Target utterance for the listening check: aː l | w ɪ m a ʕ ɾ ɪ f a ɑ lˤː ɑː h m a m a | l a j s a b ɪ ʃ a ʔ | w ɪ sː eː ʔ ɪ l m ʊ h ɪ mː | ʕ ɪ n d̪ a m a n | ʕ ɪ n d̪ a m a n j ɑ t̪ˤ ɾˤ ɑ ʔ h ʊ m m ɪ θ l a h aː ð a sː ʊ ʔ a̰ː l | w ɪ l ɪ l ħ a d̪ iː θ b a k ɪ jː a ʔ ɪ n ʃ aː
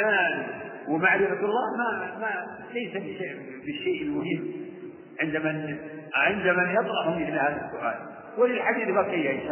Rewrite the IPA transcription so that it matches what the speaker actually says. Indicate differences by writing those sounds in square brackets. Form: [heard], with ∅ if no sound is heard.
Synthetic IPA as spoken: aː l | w ɪ m a ʕ ɾ ɪ f a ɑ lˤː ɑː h m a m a | l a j s a b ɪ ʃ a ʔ | [b] ɪ [ʃː] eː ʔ ɪ l m ʊ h ɪ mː | ʕ ɪ n d̪ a m a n | ʕ ɪ n d̪ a m a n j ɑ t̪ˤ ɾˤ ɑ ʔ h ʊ m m ɪ θ l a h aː ð a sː ʊ ʔ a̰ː l | w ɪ l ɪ l ħ a d̪ iː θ b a k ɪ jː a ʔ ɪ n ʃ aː